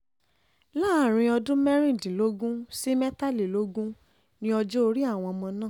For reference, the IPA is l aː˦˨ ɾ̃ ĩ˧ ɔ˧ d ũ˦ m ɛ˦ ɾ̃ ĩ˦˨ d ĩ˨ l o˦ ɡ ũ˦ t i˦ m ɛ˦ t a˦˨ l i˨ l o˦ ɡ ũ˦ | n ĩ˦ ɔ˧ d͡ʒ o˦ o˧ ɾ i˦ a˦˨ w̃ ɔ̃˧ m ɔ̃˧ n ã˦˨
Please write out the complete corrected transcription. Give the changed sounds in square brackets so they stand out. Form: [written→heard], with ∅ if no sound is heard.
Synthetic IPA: l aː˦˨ ɾ̃ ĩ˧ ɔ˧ d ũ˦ m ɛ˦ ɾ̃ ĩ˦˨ d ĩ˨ l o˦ ɡ ũ˦ [t→s] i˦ m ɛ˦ t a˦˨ l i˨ l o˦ ɡ ũ˦ | n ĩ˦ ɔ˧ d͡ʒ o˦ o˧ ɾ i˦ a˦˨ w̃ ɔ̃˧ m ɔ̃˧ n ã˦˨